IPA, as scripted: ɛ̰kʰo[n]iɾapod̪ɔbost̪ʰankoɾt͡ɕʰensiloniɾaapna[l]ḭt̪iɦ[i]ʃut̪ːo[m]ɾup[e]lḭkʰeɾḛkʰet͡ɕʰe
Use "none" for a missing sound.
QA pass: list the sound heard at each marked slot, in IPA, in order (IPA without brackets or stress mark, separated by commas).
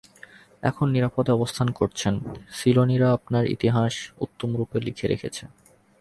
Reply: nː, ɾ, a, m, e